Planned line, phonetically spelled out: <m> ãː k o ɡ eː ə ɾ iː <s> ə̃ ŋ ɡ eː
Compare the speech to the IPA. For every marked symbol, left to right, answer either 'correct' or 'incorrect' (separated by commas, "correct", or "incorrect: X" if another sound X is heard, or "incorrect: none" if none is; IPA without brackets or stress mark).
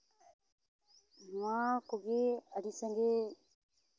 correct, correct